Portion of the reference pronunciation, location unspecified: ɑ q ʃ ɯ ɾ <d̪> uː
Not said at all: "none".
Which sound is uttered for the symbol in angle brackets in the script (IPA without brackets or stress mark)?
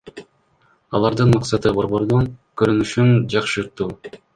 t̪